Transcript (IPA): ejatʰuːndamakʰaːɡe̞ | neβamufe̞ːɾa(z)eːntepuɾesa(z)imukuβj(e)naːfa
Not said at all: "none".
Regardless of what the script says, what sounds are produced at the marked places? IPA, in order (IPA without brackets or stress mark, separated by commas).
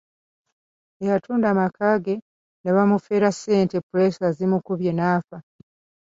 s, z, e